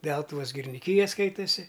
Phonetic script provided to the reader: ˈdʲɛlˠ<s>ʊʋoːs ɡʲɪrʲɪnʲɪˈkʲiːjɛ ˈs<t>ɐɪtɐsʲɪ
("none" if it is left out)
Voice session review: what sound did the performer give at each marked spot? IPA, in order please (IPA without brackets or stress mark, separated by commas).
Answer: t, k